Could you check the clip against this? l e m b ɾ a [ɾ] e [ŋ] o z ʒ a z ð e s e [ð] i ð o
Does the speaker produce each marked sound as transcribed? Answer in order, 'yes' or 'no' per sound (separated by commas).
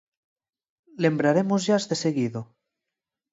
yes, no, no